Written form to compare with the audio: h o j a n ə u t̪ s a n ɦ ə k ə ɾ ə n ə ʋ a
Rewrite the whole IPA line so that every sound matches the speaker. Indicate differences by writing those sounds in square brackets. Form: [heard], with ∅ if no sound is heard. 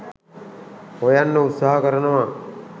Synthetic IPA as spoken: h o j a [nː] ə u t̪ s a [∅] ɦ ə k ə ɾ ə n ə ʋ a